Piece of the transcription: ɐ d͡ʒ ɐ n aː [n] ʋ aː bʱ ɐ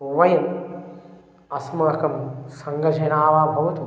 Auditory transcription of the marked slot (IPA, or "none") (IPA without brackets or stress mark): none